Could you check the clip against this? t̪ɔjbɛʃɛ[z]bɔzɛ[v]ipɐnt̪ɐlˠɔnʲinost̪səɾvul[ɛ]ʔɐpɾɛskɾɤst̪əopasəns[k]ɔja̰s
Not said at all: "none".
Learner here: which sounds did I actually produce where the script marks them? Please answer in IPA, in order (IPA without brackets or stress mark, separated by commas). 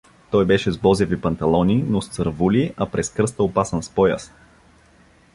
z, v, i, p